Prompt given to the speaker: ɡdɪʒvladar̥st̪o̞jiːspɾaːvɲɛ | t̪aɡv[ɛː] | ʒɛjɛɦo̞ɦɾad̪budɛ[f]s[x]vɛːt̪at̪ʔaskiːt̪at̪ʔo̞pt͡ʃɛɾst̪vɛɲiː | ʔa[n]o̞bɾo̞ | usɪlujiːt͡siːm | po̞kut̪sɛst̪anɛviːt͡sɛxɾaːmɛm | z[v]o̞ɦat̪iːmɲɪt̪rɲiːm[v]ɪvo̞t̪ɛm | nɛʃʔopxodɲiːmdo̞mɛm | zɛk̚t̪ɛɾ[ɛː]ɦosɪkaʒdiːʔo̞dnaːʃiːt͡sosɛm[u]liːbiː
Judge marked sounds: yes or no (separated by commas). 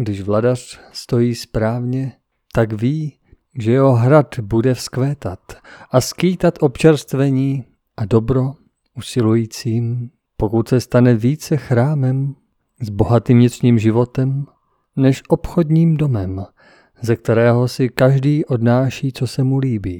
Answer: no, yes, no, no, no, no, yes, yes